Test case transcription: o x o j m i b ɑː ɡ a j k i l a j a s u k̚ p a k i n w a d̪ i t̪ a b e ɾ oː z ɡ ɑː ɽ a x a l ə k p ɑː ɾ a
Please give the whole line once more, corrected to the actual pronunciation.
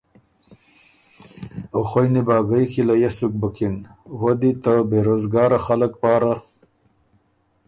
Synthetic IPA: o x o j n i b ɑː ɡ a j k i l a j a s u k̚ b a k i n w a d̪ i t̪ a b e ɾ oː z ɡ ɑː ɾ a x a l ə k p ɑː ɾ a